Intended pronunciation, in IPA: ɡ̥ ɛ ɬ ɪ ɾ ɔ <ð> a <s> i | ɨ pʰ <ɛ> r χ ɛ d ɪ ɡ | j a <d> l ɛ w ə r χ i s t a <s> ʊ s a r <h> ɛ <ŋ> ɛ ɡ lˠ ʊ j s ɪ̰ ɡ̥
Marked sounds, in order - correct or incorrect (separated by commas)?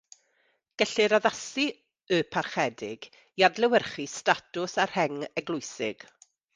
correct, correct, incorrect, correct, incorrect, correct, correct